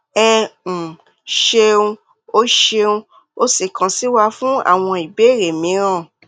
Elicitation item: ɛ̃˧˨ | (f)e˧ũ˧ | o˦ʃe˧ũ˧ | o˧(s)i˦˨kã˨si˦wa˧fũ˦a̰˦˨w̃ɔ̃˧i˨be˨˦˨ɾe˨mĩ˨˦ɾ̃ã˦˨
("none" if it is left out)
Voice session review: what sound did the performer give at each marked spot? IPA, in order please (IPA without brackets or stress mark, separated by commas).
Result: ʃ, s